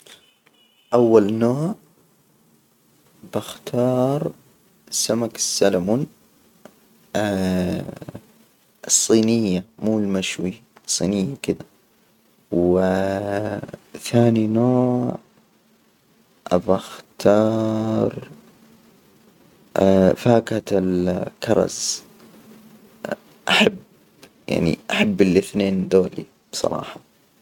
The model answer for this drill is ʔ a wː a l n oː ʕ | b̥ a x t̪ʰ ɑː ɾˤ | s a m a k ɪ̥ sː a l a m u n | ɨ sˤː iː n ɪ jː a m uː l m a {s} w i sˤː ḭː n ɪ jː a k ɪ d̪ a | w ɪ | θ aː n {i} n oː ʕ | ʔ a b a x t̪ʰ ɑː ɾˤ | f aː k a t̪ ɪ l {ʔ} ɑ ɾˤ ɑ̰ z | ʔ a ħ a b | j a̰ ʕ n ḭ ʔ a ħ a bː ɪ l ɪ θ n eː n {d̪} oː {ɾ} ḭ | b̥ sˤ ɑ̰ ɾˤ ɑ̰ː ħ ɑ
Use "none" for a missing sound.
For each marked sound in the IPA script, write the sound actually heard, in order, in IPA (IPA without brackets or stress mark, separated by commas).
ʃ, i, k, d̪, l